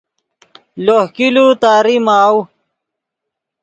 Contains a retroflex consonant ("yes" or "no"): no